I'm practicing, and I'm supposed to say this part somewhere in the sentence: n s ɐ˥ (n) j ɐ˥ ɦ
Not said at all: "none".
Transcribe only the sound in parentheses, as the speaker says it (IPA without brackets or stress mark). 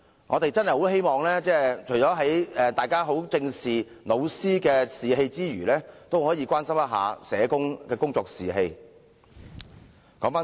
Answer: m